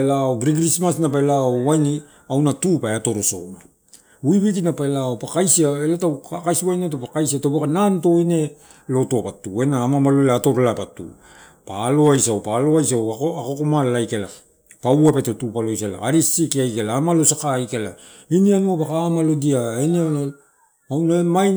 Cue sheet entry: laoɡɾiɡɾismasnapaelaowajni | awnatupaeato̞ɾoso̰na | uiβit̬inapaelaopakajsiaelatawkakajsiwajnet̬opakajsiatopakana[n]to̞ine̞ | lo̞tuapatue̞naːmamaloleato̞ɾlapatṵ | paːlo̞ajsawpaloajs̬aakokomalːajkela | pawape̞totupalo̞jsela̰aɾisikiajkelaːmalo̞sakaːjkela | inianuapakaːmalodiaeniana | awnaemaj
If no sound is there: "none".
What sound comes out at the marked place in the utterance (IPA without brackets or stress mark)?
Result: n